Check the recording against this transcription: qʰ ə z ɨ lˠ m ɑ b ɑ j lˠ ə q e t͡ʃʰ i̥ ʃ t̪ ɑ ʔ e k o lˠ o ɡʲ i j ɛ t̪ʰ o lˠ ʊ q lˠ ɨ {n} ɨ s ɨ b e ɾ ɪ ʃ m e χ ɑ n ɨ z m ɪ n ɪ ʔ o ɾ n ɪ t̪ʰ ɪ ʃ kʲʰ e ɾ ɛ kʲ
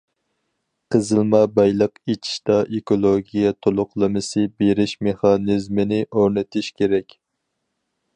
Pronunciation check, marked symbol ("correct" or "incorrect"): incorrect